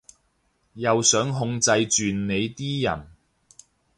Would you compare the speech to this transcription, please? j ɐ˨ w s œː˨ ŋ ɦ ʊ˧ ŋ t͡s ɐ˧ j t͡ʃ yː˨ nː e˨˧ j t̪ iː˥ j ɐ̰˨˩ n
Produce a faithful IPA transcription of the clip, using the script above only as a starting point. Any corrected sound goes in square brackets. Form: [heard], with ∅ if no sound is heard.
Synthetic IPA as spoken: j ɐ˨ w s [œː˨˥] ŋ ɦ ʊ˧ ŋ t͡s ɐ˧ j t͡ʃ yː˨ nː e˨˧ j t̪ iː˥ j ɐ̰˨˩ n